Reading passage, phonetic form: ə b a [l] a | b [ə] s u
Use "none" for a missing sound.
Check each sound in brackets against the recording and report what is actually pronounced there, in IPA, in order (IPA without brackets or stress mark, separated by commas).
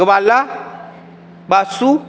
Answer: l, a